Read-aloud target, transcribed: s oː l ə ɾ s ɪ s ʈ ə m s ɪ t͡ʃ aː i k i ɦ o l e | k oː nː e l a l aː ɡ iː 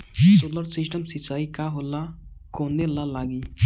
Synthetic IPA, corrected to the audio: s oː l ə ɾ s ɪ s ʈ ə m s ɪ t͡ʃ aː i k a ɦ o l a | k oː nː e l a l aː ɡ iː